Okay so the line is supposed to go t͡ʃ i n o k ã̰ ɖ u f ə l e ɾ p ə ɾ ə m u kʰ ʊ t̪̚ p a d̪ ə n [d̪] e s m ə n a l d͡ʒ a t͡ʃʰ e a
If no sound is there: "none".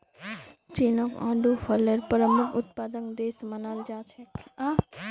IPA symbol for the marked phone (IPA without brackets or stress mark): d̪